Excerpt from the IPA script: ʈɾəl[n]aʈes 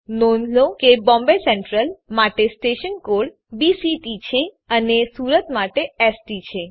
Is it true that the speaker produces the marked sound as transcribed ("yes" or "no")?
no